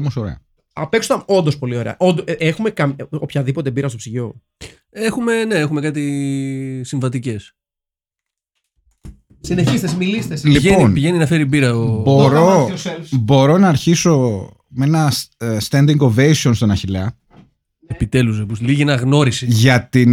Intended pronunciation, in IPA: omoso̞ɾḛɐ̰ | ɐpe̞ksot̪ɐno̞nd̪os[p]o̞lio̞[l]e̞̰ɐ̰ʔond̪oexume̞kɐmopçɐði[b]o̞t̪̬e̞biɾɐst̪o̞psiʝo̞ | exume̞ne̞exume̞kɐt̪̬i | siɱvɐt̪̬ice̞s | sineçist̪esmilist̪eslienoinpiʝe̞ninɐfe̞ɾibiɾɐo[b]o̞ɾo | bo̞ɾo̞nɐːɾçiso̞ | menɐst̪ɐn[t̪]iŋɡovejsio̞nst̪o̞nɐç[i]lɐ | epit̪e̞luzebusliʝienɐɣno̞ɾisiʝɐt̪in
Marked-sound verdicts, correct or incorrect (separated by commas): correct, incorrect, incorrect, correct, incorrect, correct